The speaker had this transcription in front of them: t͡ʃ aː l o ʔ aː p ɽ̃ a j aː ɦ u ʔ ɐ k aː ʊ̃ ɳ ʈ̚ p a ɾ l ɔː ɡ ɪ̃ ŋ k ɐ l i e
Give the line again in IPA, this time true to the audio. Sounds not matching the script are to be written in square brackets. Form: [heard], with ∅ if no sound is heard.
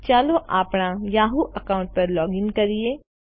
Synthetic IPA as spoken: t͡ʃ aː l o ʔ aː p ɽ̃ a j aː ɦ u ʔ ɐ k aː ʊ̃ ɳ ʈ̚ p [ɐ] ɾ l ɔː ɡ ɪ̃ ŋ k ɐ [ɾ] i e